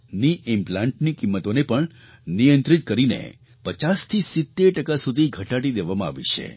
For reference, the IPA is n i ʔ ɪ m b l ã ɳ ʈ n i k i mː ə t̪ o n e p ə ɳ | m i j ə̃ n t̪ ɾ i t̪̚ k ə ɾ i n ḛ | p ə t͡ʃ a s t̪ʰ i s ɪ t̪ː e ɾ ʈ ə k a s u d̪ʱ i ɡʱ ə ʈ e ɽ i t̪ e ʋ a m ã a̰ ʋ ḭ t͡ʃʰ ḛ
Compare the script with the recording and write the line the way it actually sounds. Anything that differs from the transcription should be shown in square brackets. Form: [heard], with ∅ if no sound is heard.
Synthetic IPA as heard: n i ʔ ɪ m [p] l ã ɳ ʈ n i k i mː ə t̪ o n e p ə ɳ | [n] i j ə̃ n t̪ ɾ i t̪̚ k ə ɾ i n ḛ | p ə t͡ʃ a s t̪ʰ i s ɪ t̪ː e ɾ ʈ ə k a s u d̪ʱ i ɡʱ ə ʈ [a] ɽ i [d̪] e ʋ a m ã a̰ ʋ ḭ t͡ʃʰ ḛ